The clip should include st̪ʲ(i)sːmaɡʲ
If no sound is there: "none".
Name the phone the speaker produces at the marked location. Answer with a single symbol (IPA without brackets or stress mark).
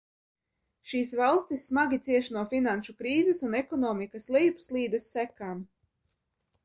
i